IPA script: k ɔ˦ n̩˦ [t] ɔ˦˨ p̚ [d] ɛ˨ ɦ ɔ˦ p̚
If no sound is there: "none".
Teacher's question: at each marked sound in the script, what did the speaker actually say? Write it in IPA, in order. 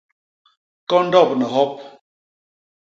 d, n

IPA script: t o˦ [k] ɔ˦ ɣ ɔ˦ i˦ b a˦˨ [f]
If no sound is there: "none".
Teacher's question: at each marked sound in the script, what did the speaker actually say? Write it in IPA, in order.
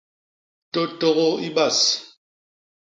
t, s

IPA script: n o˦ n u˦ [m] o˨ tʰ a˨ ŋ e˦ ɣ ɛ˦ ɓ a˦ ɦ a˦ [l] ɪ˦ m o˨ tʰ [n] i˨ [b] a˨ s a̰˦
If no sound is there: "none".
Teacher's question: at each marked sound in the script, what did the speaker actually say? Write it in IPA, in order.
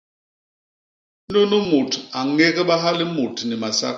m, l, n, m

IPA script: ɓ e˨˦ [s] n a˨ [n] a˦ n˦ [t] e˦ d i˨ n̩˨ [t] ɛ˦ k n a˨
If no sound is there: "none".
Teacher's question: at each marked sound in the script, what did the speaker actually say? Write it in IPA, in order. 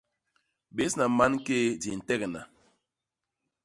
s, m, k, t

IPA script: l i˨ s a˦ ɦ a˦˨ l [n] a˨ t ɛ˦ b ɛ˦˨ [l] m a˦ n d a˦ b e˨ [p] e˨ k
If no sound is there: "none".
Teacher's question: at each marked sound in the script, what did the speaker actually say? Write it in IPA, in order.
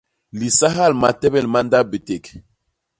m, l, t

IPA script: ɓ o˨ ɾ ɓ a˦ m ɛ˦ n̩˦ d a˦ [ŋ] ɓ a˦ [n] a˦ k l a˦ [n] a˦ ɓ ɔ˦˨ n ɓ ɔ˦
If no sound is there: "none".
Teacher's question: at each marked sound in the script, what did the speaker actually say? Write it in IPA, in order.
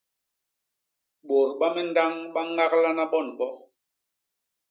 ŋ, ŋ, n

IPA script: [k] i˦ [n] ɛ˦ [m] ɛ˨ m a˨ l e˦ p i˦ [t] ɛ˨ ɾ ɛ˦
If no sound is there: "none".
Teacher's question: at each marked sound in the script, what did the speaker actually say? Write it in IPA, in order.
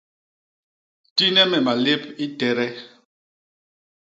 t, n, m, t

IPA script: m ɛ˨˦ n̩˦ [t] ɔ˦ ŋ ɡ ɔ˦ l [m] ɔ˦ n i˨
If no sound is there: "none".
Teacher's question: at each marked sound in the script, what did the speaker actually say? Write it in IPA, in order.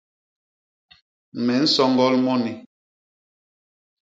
s, m

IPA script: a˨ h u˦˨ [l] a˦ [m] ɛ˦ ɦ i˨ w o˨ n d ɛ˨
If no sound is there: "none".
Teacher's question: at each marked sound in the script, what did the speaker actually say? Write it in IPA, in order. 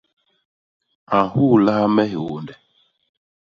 l, m

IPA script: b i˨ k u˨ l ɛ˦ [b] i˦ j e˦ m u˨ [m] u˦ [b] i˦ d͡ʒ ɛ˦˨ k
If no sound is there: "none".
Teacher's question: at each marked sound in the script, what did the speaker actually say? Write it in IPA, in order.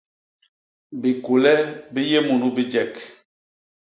b, n, b

